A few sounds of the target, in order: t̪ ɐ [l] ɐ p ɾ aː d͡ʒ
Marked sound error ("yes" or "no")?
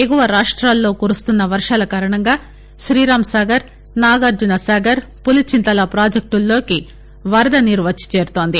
no